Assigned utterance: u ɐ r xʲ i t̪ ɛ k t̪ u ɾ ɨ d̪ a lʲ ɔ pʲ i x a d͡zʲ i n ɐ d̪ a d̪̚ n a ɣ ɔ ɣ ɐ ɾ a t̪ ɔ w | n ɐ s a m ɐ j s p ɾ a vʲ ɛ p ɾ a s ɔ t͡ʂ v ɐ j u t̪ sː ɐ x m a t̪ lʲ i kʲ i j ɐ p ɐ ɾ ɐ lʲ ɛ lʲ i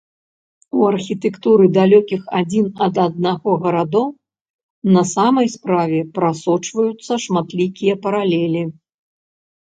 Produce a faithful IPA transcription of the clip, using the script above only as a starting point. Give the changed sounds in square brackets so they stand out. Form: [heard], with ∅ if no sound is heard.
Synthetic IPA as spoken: u ɐ r xʲ i t̪ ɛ k t̪ u ɾ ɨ d̪ a lʲ ɔ [kʲ] i x a d͡zʲ i n ɐ d̪ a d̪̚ n a ɣ ɔ ɣ ɐ ɾ a [d̪] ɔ w | n ɐ s a m ɐ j s p ɾ a vʲ ɛ p ɾ a s ɔ t͡ʂ v ɐ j u t̪ sː ɐ [ʂ] m a t̪ lʲ i kʲ i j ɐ p ɐ ɾ [a] lʲ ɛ lʲ i